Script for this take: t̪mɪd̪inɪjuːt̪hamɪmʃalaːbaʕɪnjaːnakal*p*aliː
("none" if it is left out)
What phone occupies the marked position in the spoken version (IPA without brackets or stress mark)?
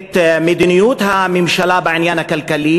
k